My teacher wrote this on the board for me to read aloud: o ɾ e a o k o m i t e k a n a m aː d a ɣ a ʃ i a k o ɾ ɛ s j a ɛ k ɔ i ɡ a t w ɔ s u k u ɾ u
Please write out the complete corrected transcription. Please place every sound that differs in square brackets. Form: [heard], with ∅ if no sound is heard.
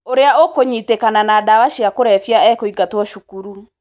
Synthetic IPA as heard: o ɾ e a o k o [ɲ] i t e k a n a [n] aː d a [w] a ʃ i a k o ɾ ɛ [f] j a ɛ k [o] i ɡ a t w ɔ [ʃ] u k u ɾ u